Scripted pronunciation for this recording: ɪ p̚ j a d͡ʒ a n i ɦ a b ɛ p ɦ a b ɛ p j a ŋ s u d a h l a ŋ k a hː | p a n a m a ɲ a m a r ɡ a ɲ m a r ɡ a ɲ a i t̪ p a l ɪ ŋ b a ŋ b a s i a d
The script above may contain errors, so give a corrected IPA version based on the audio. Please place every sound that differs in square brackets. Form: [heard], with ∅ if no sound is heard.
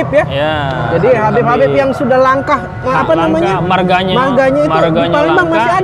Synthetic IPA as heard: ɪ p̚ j a d͡ʒ a [d] i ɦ a b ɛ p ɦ a b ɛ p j a ŋ s u d a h l a ŋ k a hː | p a n a m a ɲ a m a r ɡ a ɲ m a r ɡ a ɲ a i t̪ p a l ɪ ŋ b a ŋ [m] a s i a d